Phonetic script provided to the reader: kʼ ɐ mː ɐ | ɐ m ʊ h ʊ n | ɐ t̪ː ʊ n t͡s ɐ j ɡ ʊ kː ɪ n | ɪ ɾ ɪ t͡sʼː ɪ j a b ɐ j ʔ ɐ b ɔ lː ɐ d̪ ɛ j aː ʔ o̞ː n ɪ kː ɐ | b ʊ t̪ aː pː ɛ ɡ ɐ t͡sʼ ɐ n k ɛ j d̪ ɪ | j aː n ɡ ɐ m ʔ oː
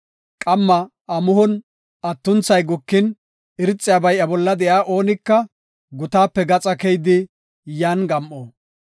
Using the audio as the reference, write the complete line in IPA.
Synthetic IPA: kʼ ɐ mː ɐ | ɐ m ʊ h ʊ n | ɐ t̪ː ʊ n t͡s ɐ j ɡ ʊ kː ɪ n | ɪ ɾ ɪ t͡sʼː ɪ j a b ɐ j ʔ ɐ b ɔ lː ɐ d̪ ɛ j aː ʔ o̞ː n ɪ kː ɐ | ɡ ʊ t̪ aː pː ɛ ɡ ɐ t͡sʼ ɐ k ɛ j d̪ ɪ | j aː n ɡ ɐ m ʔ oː